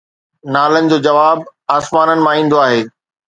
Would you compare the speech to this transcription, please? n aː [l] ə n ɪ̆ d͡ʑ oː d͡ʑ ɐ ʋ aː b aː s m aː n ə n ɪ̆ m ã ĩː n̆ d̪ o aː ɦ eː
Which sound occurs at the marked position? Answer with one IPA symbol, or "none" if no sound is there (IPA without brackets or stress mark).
l